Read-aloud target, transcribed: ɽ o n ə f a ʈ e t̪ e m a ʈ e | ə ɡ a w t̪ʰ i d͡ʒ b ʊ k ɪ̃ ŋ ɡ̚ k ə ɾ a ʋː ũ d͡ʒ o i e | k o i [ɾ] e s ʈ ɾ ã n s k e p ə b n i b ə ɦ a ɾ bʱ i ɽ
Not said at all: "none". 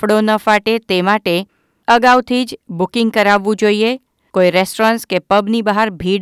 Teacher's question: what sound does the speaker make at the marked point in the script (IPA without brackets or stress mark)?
ɾ